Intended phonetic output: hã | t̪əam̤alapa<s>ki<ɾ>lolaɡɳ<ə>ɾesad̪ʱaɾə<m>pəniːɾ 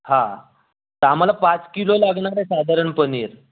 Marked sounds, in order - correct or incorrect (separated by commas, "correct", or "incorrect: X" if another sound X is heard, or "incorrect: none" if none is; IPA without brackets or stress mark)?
incorrect: t͡s, incorrect: none, incorrect: a, incorrect: ɳ